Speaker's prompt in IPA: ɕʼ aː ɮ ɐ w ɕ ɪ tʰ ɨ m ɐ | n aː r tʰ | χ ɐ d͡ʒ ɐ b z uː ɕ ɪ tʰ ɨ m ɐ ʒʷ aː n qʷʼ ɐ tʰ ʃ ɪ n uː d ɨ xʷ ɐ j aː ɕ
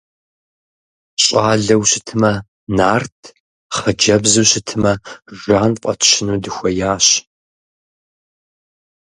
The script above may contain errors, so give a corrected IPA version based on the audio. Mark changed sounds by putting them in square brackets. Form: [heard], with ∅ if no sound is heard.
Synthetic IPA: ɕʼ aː ɮ ɐ w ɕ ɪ tʰ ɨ m ɐ | n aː r tʰ | χ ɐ d͡ʒ ɐ b z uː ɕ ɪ tʰ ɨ m ɐ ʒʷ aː n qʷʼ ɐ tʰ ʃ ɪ n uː d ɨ xʷ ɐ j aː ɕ